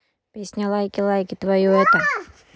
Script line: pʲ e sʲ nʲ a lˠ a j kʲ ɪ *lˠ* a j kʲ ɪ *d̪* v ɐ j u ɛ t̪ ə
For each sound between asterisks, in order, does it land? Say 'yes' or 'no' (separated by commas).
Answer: yes, no